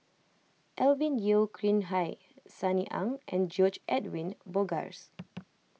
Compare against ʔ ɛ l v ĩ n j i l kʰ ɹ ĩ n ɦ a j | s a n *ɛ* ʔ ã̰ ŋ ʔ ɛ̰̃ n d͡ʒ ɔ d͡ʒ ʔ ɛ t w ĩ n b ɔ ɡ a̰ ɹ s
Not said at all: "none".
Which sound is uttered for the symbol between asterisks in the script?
i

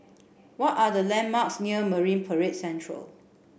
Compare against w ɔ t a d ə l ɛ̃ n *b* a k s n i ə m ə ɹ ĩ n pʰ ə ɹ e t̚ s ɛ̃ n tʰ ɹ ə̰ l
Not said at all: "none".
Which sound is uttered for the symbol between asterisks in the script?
m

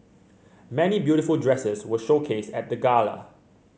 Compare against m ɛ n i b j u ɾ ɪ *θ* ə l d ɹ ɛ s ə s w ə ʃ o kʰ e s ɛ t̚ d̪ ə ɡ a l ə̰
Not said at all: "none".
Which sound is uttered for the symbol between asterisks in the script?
f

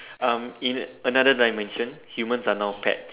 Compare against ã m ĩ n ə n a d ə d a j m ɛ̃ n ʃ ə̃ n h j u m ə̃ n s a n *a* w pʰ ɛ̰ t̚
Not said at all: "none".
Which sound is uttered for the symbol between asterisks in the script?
a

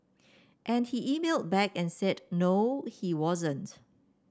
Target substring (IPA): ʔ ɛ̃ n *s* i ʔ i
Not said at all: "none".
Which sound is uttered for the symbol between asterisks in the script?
h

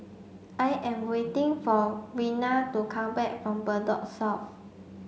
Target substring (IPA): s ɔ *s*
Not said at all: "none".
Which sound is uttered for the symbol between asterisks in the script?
f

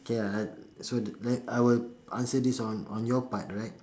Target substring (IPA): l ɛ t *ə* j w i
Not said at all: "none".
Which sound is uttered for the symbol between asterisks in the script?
a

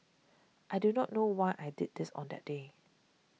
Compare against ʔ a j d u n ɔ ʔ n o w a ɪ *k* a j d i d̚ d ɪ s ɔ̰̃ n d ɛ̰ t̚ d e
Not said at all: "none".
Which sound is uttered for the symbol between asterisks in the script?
ʔ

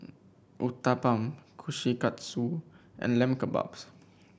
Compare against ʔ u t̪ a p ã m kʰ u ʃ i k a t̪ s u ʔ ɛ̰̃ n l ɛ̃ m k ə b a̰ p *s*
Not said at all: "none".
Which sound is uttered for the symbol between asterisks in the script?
s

